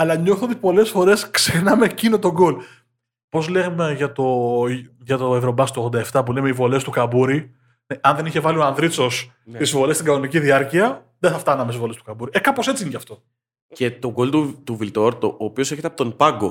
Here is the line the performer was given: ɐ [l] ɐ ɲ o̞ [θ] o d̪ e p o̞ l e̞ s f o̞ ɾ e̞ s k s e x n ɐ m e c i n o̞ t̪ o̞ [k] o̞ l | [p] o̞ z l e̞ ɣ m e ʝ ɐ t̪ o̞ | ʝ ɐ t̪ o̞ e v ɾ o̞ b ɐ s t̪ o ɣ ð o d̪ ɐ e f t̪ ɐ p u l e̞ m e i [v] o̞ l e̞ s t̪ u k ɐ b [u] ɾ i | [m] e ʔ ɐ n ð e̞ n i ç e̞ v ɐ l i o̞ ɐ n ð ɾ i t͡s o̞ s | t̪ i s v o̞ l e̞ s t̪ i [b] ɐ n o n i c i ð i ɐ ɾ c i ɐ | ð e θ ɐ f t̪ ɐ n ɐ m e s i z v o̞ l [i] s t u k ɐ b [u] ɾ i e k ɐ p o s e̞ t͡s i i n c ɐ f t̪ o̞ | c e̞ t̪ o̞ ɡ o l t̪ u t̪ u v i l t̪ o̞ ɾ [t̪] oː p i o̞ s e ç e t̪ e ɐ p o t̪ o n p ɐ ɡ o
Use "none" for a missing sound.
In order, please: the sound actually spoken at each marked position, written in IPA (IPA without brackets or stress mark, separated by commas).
l, θ, ɡ, p, v, u, n, ɡ, e, u, t̪